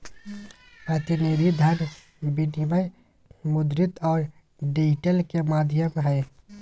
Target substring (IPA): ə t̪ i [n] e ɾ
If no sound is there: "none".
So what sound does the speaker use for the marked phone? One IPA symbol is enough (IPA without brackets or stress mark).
n